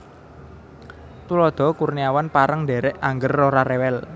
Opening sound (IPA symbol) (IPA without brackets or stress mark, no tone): t̪